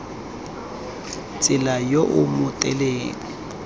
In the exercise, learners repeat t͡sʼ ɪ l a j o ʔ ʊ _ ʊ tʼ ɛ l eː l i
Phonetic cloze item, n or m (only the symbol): m